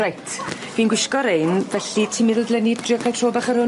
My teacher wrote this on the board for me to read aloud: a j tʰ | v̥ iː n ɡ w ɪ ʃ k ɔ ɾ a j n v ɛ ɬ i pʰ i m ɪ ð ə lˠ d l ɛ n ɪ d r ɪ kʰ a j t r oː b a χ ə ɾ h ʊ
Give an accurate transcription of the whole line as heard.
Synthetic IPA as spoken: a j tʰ | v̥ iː n ɡ w ɪ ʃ k ɔ ɾ e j n v ɛ ɬ i tʰ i m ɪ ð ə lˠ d l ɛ n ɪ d r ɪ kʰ a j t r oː b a χ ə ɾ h ʊ